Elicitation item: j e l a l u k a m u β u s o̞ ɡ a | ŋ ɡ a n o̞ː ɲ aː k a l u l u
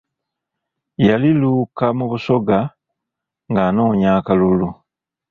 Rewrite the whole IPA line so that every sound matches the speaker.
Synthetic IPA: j a l i l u k a m u β u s o̞ ɡ a | ŋ ɡ a n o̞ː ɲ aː k a l u l u